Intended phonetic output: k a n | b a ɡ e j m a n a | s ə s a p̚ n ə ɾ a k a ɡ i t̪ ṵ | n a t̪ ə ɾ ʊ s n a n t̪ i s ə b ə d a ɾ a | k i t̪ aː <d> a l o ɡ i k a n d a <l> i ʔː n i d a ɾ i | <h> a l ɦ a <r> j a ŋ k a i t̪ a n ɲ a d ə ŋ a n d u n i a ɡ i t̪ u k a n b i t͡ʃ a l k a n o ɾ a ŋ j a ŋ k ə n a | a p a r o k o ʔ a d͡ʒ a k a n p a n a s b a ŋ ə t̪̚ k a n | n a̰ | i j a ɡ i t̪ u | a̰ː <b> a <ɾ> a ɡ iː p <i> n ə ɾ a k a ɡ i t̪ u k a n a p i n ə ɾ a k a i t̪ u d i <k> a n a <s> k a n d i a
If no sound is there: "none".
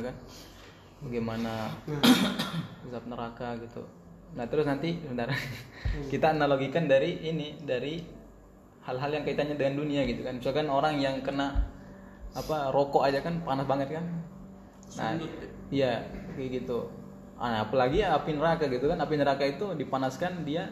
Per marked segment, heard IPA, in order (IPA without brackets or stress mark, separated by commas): n, ɾ, h, l, p, l, i, p, s